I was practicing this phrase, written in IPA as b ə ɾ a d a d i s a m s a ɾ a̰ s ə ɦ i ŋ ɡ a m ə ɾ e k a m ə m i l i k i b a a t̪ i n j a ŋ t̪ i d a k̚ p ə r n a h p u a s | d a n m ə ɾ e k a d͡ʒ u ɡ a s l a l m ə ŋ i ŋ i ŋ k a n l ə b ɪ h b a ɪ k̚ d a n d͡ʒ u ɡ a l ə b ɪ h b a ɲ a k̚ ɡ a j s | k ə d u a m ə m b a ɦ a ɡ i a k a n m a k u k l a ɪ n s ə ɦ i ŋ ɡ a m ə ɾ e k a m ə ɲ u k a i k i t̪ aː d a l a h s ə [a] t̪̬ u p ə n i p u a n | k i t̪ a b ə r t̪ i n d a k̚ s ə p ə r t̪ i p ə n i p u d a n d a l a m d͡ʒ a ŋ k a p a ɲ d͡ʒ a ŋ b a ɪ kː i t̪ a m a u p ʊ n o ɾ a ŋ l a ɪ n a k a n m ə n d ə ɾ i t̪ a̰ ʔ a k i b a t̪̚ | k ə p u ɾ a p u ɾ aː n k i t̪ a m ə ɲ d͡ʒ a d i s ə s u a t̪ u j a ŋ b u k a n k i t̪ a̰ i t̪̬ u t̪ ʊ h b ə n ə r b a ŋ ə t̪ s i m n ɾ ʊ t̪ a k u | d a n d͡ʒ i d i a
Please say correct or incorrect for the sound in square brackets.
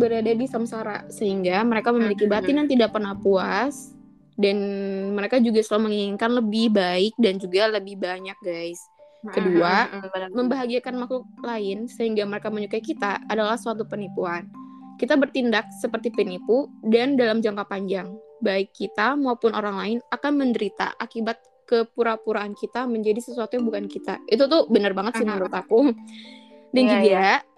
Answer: correct